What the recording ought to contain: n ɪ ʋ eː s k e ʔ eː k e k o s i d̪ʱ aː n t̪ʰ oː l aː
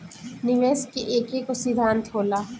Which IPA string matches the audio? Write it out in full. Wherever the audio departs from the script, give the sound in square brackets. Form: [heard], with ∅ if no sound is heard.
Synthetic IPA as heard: n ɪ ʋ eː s k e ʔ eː k e k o s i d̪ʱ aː n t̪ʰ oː l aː